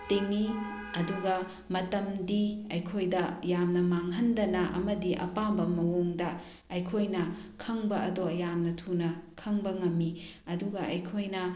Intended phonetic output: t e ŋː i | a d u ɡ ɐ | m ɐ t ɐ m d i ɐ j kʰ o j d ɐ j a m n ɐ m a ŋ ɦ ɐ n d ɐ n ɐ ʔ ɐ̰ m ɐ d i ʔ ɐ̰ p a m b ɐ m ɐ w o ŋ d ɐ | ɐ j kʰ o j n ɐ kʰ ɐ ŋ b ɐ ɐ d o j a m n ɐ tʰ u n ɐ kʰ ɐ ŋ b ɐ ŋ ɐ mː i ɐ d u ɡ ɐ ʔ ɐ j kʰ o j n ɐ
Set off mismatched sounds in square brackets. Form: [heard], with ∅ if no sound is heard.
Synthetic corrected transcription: t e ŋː i | [ɐ] d u ɡ ɐ | m ɐ t ɐ m d i ɐ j kʰ o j d ɐ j a m n ɐ m a ŋ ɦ ɐ n d ɐ n ɐ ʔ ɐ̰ m ɐ d i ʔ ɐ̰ p a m b ɐ m ɐ w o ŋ d ɐ | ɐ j kʰ o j n ɐ kʰ ɐ ŋ b ɐ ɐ d o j a m n ɐ tʰ u n ɐ kʰ ɐ ŋ b ɐ ŋ ɐ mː i ɐ d u ɡ ɐ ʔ ɐ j kʰ o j n ɐ